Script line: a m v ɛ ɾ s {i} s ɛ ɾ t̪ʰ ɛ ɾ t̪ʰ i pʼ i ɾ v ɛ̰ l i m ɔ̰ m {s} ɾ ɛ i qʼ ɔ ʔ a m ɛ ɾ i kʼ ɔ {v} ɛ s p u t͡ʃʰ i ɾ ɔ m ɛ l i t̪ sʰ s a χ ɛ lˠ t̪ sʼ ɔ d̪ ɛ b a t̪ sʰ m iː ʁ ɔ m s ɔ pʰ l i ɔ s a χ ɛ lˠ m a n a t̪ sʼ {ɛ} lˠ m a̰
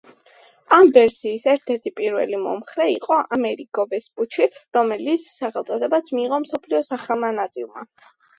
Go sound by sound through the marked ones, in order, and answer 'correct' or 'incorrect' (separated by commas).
incorrect, incorrect, correct, incorrect